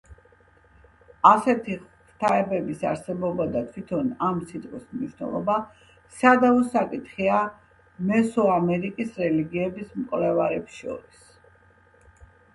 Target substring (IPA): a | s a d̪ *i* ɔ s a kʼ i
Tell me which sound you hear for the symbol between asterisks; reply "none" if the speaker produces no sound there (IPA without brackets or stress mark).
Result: a